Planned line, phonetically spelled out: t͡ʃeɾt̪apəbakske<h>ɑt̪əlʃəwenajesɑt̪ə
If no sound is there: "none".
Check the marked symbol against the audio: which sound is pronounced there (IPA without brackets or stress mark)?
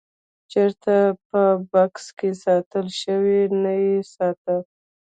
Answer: s